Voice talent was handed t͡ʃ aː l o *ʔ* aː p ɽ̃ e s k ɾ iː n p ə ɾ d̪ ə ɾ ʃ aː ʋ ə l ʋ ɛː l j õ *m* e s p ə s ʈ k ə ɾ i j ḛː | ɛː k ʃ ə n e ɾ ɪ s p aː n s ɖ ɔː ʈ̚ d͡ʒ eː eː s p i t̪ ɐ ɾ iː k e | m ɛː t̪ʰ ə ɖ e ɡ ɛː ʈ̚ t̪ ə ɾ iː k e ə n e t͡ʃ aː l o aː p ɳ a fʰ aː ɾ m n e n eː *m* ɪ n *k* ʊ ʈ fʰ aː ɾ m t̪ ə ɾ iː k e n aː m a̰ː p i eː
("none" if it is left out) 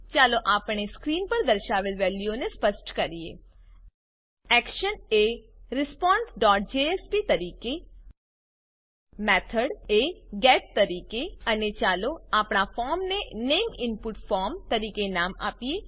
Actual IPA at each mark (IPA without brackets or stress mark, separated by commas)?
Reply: ʔ, n, m, p